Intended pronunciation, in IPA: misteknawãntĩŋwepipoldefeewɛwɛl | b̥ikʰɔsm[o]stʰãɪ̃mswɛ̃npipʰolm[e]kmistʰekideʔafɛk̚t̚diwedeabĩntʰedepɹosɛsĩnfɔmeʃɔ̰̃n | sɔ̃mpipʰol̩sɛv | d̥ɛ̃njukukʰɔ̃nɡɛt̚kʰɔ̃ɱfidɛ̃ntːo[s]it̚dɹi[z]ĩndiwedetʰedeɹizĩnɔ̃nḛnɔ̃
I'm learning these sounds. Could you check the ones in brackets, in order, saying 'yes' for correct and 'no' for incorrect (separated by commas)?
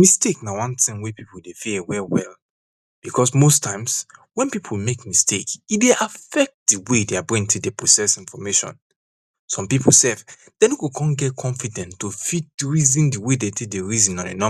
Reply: yes, yes, no, yes